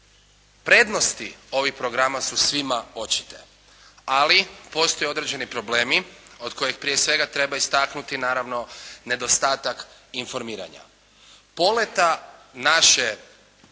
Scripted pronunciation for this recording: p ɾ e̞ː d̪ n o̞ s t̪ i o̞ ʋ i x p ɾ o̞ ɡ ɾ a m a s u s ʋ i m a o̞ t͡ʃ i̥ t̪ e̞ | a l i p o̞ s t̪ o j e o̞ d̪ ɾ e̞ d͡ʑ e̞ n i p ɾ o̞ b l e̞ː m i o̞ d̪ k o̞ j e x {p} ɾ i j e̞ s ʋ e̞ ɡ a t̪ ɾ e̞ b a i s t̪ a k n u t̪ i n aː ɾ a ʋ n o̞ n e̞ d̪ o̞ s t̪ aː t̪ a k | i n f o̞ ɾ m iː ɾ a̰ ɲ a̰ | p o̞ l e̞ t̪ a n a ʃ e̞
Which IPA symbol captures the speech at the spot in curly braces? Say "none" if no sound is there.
p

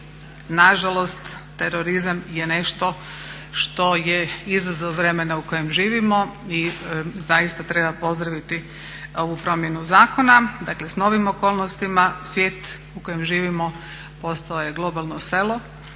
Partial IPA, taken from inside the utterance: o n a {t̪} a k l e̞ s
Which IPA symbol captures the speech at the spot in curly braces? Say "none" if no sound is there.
d̪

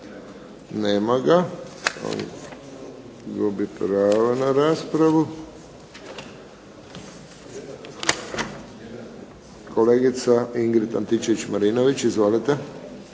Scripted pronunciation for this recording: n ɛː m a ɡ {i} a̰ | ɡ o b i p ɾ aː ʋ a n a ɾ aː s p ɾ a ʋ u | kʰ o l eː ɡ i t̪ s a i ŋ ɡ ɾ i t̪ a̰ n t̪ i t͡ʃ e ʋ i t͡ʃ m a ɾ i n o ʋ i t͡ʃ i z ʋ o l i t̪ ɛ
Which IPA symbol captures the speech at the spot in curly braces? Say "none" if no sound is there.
a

